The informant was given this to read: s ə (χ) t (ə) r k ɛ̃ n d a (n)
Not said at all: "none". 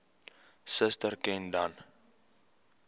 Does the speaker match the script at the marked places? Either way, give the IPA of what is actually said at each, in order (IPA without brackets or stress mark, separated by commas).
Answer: s, ə, n